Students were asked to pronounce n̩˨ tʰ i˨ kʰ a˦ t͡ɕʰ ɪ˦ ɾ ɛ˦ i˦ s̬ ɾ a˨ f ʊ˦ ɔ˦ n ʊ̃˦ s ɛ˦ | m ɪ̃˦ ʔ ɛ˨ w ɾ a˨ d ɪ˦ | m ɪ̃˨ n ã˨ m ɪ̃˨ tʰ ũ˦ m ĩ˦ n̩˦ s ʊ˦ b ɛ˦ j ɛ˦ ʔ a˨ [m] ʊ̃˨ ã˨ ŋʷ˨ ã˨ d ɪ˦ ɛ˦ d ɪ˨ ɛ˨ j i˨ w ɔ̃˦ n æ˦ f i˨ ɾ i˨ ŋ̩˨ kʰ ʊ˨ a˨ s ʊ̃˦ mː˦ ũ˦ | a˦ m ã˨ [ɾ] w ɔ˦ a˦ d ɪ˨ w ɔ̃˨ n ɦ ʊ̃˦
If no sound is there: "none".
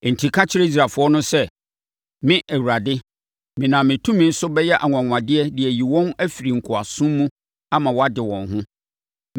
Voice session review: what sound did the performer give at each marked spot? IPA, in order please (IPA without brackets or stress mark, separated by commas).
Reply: ŋ, none